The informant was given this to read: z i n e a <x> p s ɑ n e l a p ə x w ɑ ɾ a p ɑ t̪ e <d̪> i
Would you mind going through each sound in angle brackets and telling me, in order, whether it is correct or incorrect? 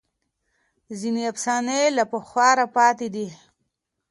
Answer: incorrect, correct

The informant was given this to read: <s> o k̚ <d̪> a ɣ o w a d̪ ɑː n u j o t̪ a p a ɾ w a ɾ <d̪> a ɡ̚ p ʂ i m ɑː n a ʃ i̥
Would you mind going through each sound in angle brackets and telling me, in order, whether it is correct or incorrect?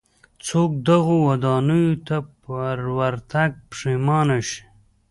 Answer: incorrect, correct, incorrect

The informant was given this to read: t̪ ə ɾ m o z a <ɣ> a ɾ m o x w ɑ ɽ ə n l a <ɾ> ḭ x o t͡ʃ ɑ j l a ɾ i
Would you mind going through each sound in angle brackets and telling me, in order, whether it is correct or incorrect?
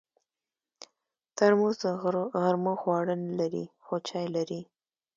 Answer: correct, correct

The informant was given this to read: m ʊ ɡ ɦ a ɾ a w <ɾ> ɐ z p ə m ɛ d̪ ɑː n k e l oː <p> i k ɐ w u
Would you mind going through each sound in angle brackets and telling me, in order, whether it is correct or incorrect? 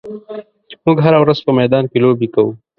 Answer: correct, incorrect

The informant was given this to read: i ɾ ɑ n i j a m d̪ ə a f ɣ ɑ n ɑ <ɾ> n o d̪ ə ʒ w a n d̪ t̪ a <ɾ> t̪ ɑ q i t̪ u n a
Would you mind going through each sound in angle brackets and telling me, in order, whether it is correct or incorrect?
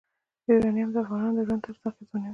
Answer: incorrect, correct

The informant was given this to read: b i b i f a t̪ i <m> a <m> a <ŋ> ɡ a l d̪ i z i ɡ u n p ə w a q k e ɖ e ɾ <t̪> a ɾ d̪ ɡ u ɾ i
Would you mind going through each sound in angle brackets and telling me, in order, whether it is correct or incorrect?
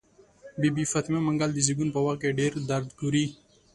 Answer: correct, correct, correct, incorrect

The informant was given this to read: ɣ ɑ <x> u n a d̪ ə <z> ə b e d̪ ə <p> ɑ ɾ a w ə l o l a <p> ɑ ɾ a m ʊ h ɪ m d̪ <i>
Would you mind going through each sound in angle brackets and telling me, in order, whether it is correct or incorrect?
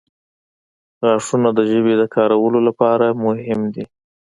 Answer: incorrect, incorrect, incorrect, correct, correct

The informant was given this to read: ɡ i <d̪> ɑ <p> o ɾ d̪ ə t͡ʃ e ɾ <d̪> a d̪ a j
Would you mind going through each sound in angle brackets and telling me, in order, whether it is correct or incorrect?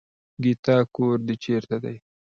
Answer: incorrect, incorrect, incorrect

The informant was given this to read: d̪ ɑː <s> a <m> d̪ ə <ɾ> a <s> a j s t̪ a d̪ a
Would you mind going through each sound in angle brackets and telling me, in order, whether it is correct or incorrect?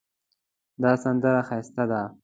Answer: correct, incorrect, correct, incorrect

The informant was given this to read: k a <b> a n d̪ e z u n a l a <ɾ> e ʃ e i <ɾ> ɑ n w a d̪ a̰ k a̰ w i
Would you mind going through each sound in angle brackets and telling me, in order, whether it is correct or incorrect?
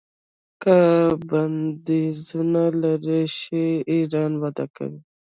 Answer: correct, correct, correct

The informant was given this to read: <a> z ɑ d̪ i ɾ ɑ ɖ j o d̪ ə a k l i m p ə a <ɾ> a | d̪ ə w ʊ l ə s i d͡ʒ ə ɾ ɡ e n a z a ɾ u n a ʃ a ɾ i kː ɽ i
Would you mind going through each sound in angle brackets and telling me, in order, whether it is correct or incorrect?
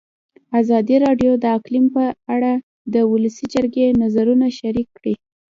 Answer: correct, incorrect

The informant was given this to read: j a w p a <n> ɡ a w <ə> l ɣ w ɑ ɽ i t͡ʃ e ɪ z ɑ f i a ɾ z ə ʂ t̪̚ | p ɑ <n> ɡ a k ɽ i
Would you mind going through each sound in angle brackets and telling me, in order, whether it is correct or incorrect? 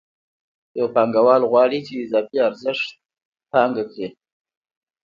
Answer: incorrect, incorrect, incorrect

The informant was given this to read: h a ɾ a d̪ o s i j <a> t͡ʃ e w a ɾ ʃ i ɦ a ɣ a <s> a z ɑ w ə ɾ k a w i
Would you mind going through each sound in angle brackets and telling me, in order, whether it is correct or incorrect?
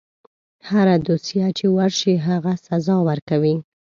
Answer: correct, correct

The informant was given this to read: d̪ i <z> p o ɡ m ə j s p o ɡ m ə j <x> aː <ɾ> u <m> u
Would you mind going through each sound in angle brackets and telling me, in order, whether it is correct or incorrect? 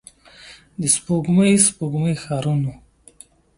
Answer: incorrect, correct, correct, incorrect

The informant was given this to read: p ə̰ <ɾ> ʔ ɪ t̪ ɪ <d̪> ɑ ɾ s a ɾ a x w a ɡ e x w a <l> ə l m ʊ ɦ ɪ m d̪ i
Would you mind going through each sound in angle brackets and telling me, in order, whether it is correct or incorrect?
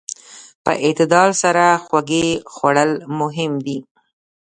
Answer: incorrect, correct, incorrect

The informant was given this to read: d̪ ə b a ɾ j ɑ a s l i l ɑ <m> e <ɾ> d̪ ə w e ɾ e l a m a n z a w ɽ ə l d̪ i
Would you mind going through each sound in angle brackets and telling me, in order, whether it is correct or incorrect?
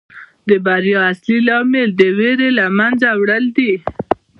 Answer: correct, incorrect

